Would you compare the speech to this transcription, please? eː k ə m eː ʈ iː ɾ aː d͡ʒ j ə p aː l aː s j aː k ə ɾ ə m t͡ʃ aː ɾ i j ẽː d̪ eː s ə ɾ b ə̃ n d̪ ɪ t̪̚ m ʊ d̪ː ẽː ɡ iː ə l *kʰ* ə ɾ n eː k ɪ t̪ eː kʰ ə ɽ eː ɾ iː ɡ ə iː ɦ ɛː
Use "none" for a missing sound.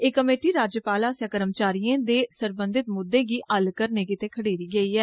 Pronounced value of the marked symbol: k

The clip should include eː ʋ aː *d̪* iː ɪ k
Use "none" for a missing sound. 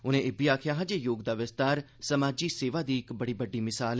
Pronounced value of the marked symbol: d̪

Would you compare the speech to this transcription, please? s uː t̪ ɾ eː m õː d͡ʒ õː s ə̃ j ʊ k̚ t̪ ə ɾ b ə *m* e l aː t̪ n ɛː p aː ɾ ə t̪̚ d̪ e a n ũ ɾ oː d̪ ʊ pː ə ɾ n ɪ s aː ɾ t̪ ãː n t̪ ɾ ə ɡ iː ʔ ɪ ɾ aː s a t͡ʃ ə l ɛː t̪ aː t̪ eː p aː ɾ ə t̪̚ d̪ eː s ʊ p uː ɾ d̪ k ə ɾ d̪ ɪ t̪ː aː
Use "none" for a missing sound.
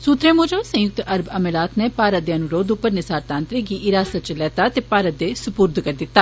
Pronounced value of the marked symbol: m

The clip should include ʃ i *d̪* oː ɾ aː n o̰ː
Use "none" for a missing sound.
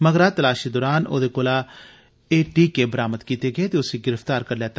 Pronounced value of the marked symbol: d̪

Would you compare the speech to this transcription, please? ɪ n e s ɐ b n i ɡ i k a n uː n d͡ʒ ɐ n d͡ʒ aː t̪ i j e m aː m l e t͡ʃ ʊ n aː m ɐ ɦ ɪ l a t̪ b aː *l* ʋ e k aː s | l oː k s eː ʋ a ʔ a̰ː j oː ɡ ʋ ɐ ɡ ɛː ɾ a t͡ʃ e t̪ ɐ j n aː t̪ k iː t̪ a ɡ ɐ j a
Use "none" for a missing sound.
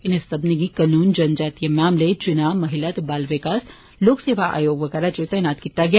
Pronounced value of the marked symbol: l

